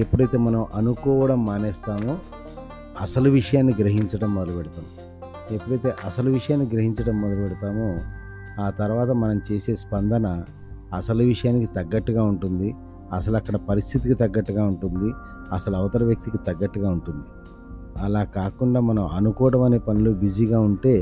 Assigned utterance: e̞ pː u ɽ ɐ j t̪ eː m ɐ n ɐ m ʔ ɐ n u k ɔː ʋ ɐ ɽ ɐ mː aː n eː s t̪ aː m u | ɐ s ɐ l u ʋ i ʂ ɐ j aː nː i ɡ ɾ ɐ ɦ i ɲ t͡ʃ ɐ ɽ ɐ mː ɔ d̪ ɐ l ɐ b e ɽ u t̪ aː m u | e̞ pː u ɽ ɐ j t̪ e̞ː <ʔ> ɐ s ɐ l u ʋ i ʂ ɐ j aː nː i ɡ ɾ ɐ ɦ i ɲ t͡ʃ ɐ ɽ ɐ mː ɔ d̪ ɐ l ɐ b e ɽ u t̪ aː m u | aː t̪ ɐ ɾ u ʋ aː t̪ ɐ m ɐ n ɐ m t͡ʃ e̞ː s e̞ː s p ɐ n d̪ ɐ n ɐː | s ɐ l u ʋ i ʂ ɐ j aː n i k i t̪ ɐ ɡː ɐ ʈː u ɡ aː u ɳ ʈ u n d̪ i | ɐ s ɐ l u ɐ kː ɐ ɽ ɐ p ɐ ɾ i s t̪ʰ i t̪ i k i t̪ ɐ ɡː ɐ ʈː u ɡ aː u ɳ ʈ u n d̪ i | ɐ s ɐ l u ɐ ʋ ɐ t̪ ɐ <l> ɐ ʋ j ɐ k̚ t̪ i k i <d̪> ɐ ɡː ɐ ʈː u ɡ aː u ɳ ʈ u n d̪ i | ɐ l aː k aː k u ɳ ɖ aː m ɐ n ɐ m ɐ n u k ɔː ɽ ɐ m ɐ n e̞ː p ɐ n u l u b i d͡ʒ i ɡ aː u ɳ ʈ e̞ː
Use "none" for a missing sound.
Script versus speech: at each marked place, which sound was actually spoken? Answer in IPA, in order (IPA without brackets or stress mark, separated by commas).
ʔ, ɾ, t̪